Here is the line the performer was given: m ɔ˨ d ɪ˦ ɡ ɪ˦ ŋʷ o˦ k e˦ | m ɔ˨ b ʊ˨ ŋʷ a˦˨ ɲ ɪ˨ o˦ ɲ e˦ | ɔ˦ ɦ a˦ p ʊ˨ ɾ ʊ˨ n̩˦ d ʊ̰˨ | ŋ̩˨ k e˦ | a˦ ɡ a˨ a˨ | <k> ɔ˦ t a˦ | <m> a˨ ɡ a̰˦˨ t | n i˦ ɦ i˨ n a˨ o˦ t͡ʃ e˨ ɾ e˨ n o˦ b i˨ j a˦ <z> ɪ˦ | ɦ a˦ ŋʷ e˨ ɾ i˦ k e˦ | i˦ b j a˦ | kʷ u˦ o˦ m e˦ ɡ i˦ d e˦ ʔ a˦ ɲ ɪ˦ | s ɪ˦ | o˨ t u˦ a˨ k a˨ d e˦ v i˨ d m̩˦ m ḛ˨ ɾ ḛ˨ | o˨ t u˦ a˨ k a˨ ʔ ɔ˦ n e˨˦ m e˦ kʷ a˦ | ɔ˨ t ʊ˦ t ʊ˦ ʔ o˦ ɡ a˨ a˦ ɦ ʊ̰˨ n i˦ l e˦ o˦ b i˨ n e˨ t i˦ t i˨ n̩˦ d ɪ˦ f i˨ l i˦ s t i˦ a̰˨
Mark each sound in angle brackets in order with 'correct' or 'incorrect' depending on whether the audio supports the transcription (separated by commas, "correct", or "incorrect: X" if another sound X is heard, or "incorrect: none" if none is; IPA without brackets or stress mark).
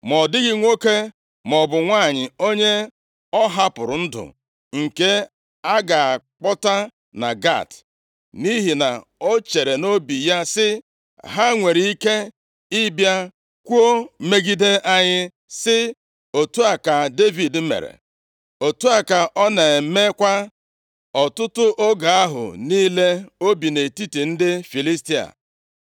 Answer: incorrect: k͡p, incorrect: n, incorrect: s